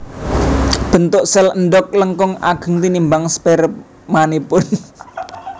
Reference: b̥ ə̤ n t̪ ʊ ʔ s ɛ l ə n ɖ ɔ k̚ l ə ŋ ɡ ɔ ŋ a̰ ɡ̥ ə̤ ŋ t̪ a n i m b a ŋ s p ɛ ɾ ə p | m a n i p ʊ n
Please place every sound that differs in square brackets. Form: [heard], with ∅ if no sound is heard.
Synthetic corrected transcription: b̥ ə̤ n t̪ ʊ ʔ s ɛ l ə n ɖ ɔ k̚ l ə ŋ [k] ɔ ŋ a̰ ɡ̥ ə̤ ŋ t̪ [i] n i m b a ŋ s p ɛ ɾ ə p | m a n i p ʊ n